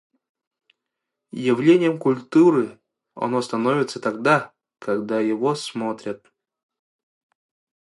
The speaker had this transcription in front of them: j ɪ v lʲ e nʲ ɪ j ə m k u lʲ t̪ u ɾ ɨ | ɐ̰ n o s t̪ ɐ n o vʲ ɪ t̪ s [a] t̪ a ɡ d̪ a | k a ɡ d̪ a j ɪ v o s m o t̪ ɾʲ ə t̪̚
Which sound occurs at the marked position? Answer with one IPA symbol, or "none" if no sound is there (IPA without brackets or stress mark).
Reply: ə